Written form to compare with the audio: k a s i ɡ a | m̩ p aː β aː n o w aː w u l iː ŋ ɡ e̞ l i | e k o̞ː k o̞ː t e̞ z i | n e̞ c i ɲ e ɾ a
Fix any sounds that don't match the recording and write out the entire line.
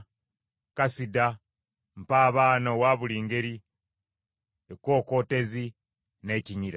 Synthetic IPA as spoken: k a s i d a | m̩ p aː β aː n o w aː β u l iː ŋ ɡ e̞ ɾ i | e k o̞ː k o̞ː t e̞ z i | n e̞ c i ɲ i ɾ a